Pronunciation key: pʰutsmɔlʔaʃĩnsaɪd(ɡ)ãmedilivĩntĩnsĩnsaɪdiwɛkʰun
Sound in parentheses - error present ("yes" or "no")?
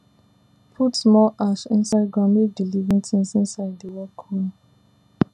no